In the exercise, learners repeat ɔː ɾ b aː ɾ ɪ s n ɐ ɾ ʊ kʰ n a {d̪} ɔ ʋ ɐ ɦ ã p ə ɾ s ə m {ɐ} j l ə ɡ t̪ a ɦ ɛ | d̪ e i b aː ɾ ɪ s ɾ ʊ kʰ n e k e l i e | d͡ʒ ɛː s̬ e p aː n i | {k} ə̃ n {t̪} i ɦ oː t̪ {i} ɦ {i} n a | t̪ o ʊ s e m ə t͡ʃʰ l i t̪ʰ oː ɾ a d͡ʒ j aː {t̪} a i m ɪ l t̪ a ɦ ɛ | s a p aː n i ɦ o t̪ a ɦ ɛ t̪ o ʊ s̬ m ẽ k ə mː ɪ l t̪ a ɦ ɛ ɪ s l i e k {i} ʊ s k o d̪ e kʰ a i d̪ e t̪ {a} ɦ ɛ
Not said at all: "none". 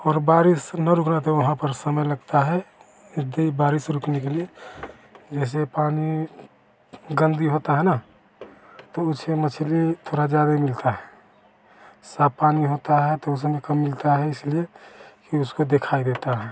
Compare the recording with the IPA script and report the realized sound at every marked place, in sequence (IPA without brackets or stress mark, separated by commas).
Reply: t̪, ə, ɡ, d̪, a, ɛ, d̪, i, a